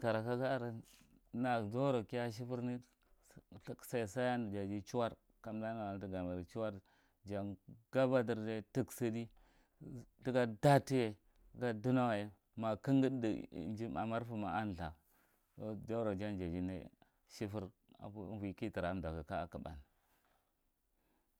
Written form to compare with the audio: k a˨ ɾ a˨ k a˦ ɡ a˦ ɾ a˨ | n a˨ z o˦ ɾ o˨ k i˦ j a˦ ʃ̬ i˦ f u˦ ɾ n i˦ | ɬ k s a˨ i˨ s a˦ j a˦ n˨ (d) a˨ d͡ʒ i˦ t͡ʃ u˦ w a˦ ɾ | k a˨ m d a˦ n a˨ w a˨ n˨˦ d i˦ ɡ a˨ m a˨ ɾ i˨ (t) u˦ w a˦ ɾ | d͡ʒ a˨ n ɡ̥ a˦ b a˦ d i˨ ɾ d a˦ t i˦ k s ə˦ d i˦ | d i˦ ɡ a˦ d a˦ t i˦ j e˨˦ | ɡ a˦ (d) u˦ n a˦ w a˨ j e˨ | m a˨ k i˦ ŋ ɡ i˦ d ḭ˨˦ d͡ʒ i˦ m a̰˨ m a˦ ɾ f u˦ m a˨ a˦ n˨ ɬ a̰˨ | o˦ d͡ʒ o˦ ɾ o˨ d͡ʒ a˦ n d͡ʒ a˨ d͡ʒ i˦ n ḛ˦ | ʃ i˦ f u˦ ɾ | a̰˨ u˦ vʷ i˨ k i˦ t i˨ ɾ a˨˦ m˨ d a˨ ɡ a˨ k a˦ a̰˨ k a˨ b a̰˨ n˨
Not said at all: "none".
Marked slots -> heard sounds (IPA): d͡ʒ, t͡ʃ, d

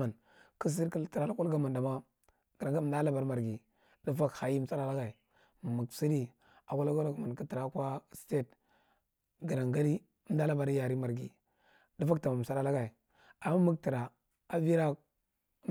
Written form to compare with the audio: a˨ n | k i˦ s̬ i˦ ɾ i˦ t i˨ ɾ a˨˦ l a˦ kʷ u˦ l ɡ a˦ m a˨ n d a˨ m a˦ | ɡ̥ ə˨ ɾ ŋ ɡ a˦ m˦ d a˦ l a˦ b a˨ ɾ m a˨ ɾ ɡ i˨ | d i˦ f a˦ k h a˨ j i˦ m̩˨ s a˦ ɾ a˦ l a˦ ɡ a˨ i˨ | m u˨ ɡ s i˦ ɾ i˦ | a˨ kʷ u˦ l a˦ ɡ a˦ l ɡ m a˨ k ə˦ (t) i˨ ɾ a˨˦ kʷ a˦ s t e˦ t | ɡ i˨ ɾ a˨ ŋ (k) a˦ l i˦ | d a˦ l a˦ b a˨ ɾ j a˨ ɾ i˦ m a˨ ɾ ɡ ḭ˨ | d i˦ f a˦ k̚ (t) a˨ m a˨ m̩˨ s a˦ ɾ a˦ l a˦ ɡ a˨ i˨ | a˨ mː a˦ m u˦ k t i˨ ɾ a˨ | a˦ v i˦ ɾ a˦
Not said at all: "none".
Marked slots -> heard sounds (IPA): t, ɡ, t

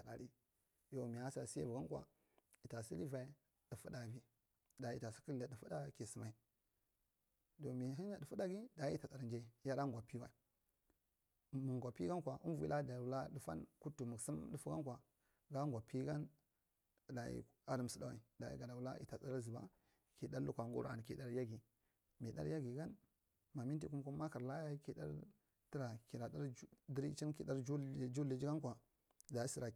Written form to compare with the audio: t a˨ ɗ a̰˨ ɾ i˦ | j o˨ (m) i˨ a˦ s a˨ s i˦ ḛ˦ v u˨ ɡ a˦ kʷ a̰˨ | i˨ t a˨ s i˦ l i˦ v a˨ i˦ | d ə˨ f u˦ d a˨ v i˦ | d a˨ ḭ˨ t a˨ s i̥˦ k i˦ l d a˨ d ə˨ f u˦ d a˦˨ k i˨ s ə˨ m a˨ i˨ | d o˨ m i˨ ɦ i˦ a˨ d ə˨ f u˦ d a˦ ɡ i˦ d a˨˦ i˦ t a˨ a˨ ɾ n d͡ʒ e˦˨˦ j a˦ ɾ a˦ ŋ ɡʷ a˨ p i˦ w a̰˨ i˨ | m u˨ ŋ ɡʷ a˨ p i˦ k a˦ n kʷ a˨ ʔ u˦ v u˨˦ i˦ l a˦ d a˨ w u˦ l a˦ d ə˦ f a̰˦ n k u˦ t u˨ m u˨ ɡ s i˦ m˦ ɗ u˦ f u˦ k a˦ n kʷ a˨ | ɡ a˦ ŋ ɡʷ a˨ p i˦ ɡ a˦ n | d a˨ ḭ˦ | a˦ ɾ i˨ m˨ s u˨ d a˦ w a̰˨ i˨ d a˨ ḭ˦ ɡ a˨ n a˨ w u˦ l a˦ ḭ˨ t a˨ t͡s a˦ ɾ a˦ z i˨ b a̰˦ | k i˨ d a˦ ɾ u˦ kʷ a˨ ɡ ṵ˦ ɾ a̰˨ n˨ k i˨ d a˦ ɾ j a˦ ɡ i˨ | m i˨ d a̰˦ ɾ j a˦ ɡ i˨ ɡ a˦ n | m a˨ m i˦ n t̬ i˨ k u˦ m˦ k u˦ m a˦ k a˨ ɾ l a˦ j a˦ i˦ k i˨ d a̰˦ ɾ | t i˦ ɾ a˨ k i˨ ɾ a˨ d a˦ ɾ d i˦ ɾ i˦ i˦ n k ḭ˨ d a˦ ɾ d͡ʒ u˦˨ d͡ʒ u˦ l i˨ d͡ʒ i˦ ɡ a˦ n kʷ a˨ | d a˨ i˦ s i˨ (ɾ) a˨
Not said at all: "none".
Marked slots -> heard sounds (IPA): m, ɾ

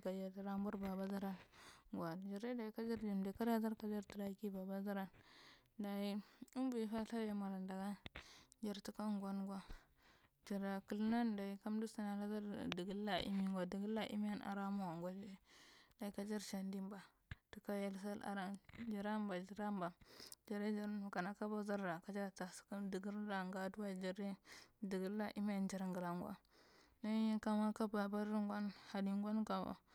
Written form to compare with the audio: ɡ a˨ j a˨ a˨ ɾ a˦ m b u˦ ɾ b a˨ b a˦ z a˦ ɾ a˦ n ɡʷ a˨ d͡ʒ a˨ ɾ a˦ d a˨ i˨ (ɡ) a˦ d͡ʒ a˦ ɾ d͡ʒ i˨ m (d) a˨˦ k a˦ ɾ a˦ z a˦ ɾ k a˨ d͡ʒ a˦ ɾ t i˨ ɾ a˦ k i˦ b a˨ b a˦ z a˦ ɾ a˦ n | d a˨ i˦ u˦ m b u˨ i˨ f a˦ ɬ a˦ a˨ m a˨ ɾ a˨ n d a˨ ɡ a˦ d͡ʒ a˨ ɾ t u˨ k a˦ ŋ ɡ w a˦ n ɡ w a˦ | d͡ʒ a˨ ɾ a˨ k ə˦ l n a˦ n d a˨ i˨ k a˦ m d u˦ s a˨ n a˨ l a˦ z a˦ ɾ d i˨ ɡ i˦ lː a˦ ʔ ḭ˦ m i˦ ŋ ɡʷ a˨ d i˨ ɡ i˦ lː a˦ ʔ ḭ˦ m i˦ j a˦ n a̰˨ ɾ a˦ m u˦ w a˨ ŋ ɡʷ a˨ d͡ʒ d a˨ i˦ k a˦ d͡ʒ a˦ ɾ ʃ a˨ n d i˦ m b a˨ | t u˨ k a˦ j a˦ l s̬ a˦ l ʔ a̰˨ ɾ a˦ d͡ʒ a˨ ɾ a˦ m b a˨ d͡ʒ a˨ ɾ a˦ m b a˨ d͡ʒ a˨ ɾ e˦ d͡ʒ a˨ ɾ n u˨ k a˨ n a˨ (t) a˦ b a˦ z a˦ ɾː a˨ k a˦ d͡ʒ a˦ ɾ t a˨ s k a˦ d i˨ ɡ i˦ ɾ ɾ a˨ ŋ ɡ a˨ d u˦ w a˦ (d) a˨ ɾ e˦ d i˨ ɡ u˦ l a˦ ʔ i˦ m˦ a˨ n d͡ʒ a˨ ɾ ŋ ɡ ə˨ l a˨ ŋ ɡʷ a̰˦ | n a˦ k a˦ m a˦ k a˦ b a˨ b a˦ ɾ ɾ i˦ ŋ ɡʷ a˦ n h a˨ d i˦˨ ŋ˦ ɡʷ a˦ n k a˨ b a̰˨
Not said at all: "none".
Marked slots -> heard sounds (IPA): k, d, k, d͡ʒ

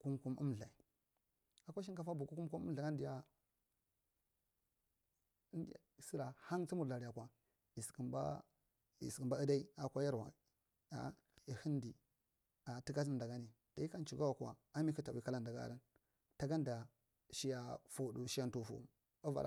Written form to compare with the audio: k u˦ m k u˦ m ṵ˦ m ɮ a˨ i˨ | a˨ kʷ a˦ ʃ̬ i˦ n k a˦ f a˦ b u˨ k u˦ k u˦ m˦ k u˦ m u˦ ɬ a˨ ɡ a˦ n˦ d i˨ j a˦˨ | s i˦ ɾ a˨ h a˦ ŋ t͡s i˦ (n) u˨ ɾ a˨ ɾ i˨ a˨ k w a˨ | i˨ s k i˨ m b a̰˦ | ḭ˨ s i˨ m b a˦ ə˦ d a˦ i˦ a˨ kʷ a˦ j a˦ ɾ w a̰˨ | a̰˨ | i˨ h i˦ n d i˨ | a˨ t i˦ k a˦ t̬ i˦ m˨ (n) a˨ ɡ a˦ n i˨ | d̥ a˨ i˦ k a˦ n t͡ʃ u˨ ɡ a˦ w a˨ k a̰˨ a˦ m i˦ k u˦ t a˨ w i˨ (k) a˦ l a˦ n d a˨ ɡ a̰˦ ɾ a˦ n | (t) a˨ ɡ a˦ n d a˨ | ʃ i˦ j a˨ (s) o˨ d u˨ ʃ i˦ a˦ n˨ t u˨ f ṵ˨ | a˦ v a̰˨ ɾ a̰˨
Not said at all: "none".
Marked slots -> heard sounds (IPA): m, d, k, t, f

